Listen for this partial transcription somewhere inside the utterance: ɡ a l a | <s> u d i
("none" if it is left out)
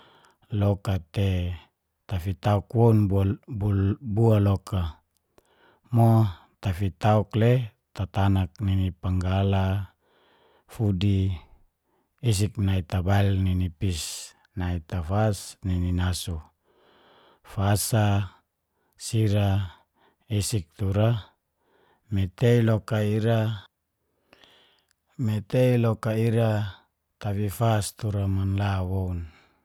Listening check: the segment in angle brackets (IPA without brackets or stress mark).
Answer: f